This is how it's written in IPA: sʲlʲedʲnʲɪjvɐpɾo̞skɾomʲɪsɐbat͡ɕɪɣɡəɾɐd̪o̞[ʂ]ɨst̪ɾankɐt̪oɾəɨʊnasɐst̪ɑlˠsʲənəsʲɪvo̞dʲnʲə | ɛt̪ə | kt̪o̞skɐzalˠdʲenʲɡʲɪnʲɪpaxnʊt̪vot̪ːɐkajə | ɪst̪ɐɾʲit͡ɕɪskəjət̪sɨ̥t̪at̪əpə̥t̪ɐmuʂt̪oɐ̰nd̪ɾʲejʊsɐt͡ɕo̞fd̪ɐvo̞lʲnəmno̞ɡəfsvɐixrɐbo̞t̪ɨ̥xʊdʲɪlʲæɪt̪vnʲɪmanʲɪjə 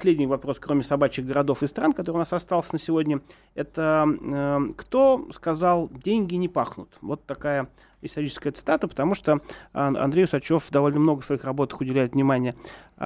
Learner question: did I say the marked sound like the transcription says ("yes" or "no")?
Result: no